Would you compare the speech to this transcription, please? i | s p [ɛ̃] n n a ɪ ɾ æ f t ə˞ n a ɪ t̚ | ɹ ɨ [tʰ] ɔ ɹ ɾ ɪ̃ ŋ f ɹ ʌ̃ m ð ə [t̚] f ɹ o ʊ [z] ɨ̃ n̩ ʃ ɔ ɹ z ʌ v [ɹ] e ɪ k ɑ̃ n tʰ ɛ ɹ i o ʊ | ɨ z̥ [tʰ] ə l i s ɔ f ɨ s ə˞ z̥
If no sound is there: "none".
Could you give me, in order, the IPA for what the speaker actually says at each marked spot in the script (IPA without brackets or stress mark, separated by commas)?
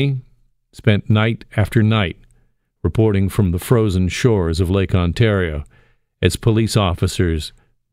ɛ̃, pʰ, none, z, l, pʰ